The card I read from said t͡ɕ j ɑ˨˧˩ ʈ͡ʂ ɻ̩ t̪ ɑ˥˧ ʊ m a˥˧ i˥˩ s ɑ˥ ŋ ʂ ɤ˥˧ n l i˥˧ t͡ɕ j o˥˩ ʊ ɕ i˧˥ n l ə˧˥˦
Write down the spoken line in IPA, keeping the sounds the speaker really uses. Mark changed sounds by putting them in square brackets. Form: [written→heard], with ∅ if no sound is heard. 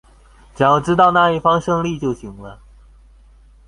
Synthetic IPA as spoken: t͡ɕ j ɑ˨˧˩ ʈ͡ʂ ɻ̩ t̪ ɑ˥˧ ʊ [m→n] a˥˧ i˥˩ [s→f] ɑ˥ ŋ ʂ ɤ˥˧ [n→ŋ] l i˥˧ t͡ɕ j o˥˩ ʊ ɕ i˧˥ [n→ŋ] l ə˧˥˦